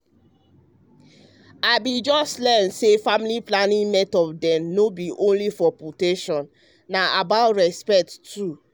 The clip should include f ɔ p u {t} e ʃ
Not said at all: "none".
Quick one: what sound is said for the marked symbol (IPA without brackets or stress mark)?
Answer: t